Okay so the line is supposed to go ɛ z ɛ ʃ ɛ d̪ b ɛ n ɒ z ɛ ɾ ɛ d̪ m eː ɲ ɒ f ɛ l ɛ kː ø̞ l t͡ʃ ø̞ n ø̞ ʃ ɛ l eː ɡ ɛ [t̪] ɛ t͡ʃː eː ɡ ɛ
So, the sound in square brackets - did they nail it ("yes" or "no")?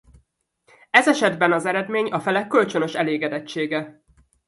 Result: no